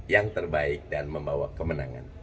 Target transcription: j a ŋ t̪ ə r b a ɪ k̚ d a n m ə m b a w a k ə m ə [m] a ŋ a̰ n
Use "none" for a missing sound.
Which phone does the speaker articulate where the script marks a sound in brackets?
n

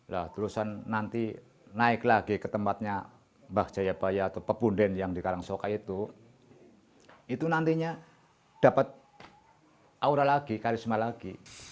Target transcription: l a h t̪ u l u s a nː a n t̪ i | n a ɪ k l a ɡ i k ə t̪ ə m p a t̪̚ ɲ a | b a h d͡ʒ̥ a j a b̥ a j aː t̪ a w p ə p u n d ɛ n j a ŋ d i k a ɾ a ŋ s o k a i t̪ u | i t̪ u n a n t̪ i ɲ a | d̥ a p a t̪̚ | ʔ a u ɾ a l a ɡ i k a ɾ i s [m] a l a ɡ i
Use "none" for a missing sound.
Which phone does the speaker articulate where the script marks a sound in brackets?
m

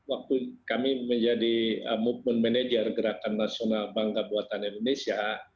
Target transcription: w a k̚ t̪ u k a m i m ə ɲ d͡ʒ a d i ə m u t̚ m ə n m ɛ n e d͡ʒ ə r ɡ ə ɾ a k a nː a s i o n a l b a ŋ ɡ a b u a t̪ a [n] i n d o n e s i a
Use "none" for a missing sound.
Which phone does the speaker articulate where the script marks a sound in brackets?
n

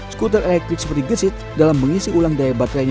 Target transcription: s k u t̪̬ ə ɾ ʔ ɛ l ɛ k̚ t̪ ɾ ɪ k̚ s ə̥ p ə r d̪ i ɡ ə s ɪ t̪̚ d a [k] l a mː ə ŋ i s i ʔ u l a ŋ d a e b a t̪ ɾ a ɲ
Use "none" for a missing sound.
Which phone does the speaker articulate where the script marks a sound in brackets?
none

